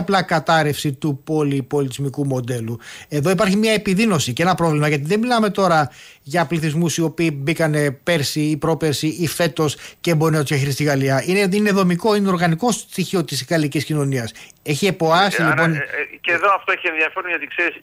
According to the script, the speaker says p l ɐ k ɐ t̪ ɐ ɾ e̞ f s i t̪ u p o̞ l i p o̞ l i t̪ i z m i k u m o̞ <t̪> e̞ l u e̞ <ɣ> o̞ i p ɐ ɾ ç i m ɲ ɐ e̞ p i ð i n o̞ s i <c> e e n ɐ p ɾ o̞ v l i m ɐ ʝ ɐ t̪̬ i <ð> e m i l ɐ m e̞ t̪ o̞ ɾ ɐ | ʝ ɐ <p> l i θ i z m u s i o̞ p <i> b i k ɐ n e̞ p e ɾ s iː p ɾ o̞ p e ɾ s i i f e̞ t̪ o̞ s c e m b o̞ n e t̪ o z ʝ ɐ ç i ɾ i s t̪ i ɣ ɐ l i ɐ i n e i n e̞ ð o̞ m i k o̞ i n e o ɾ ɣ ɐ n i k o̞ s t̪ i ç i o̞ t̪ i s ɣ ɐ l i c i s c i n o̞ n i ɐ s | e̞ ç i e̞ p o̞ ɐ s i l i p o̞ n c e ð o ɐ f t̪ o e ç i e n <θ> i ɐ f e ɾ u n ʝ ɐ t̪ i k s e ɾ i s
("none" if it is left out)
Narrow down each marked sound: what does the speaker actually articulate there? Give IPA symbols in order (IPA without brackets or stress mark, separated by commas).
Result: d̪, ð, c, ð, p, iː, ð